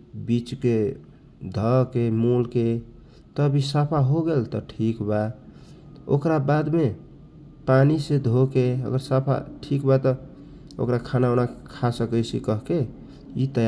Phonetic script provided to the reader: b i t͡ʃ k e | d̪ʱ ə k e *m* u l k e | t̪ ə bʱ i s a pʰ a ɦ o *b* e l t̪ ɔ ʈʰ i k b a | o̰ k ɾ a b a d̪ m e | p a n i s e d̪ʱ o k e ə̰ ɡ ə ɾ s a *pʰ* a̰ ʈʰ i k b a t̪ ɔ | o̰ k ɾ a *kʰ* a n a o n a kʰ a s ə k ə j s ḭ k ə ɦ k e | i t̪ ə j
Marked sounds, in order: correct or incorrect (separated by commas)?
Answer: correct, incorrect, correct, correct